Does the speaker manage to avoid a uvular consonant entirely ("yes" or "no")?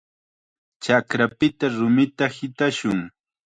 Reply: yes